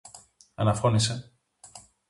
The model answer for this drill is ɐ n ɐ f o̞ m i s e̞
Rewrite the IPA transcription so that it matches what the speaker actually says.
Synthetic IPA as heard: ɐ n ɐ f o̞ n i s e̞